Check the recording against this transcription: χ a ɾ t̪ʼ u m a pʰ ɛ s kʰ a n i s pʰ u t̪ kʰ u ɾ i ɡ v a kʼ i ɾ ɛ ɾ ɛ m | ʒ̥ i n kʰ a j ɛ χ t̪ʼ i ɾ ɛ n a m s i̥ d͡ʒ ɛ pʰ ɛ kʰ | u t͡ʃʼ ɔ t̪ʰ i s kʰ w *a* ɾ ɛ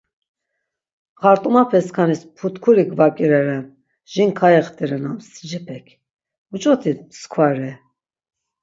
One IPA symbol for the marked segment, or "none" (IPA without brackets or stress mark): a